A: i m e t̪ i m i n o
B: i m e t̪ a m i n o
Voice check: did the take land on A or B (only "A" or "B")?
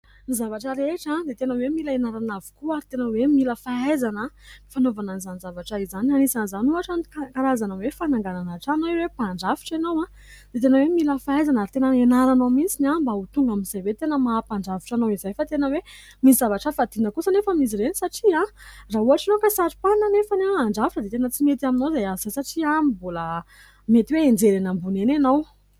B